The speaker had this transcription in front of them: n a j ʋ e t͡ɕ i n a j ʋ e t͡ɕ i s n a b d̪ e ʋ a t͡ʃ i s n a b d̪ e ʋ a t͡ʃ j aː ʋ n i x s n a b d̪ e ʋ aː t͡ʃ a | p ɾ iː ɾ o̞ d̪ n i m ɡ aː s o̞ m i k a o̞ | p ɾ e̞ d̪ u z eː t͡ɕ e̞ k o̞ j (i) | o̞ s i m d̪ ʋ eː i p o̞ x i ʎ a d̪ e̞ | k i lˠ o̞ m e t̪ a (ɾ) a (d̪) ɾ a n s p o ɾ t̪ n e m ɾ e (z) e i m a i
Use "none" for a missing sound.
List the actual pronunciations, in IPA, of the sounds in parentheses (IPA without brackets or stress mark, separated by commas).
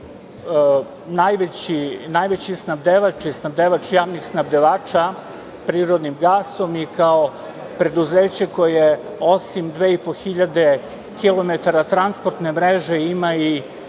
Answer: e, ɾ, t̪, ʒ